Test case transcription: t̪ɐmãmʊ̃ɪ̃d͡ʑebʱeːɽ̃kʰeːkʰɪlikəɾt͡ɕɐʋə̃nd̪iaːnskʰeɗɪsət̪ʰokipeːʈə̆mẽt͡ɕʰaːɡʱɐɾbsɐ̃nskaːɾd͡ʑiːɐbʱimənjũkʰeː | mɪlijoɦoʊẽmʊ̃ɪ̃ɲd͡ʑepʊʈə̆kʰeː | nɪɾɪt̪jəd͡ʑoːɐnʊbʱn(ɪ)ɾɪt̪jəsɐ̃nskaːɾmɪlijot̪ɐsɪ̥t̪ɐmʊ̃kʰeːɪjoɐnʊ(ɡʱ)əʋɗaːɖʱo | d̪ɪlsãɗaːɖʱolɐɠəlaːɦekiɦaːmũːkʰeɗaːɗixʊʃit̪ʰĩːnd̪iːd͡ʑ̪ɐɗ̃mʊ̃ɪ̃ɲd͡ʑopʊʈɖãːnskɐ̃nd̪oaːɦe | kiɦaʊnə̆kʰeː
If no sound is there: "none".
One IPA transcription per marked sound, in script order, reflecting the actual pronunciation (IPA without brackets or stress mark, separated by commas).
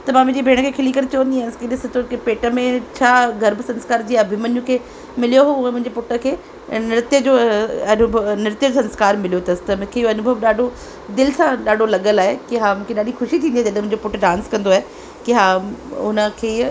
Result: ɪ, bʱ